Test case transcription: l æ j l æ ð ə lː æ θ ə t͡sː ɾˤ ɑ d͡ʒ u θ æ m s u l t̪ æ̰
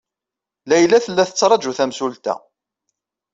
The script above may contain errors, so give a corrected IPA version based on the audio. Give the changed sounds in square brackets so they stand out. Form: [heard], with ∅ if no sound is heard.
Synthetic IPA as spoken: l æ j l æ [θ] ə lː æ θ ə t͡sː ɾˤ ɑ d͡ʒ u θ æ m s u l t̪ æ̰